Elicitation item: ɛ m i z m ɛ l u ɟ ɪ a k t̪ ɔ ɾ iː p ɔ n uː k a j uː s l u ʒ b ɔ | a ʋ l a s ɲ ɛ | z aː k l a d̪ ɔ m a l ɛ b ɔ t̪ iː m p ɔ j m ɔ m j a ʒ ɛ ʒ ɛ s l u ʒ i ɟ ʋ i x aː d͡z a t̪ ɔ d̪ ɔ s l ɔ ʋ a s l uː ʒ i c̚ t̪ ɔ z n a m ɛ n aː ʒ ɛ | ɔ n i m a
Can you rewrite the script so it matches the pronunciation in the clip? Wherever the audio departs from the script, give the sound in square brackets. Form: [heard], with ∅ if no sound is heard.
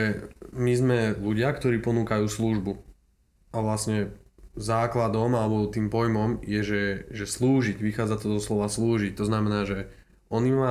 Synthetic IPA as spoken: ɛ m i z m ɛ l u ɟ ɪ a k t̪ ɔ ɾ iː p ɔ n uː k a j uː s l u ʒ b [u] | a ʋ l a s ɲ ɛ | z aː k l a d̪ ɔ m a l ɛ b ɔ t̪ iː m p ɔ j m ɔ m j [ɛ] ʒ ɛ ʒ ɛ s l [uː] ʒ i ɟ ʋ i x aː d͡z a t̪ ɔ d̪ ɔ s l ɔ ʋ a s l uː ʒ i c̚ t̪ ɔ z n a m ɛ n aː ʒ ɛ | ɔ n i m a